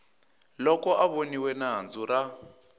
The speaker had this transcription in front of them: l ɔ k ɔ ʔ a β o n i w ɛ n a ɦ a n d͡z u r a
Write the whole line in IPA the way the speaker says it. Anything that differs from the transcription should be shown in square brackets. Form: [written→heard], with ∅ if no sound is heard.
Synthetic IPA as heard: l ɔ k ɔ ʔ a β o n i w ɛ n a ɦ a n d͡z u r a